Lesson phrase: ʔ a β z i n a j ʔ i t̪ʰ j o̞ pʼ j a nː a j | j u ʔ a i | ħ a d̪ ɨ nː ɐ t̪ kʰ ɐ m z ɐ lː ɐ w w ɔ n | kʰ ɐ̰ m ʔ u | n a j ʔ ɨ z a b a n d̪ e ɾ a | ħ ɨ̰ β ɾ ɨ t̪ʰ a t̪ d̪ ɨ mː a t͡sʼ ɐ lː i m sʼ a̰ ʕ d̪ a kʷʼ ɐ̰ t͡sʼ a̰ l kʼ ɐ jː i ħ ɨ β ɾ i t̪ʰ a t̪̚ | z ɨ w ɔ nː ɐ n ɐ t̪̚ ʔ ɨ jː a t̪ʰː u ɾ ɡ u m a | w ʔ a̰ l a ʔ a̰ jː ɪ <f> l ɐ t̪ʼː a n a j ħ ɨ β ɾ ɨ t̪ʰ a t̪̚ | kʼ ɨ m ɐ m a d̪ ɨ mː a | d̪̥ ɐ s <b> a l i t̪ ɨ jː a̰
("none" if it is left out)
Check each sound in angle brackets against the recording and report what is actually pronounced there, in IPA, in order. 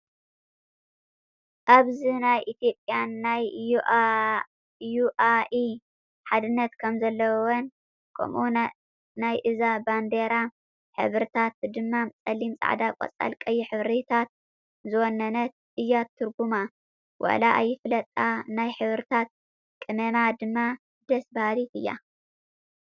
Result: f, b

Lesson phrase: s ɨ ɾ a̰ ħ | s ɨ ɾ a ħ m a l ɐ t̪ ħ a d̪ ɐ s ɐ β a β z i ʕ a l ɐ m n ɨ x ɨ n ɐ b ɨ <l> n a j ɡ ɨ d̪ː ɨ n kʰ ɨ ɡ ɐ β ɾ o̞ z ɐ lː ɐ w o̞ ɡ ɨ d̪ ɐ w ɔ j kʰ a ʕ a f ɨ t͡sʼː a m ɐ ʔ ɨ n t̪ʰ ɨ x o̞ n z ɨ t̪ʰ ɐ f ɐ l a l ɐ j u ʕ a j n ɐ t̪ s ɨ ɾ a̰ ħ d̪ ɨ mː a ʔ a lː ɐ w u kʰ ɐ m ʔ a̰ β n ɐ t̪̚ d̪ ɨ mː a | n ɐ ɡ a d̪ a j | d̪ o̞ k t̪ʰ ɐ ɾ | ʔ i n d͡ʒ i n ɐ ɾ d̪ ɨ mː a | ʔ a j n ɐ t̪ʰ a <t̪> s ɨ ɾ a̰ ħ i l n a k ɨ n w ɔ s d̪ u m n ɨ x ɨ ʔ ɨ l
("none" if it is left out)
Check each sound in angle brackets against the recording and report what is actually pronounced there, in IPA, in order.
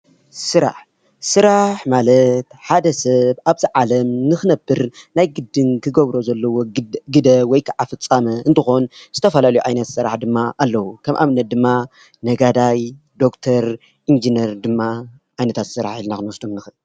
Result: ɾ, t̪

